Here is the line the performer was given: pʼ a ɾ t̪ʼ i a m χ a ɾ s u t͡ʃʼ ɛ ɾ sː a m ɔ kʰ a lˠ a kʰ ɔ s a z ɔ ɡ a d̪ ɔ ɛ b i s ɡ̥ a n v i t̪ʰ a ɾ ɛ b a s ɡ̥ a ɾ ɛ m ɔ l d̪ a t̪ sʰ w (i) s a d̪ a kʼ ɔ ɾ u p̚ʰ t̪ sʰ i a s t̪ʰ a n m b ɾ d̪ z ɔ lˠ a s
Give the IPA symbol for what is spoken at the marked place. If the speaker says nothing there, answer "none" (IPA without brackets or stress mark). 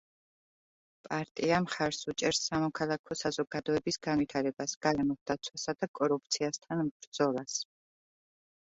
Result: a